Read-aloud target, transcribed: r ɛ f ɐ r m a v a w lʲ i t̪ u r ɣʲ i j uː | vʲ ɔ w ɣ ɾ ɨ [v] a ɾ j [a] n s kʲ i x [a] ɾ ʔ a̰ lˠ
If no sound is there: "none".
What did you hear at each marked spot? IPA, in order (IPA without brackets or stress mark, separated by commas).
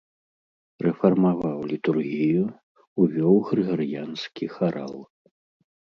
ɣ, a, a